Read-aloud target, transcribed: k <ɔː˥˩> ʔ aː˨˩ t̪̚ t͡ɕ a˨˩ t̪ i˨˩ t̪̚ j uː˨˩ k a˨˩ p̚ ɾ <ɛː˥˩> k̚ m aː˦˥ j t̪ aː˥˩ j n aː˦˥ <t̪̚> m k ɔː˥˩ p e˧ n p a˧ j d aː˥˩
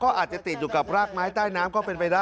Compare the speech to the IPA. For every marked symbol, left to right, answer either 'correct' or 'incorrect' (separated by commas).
correct, incorrect, incorrect